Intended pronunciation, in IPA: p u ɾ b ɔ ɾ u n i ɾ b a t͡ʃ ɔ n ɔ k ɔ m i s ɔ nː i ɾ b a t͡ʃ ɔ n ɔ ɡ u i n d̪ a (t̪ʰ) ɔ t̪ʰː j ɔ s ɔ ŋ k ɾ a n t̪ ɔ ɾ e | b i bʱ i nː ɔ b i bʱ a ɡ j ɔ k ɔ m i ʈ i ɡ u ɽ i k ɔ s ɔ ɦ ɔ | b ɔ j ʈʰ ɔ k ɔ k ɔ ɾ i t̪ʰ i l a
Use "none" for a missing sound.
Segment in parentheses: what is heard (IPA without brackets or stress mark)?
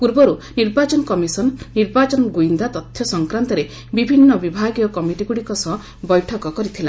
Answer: t̪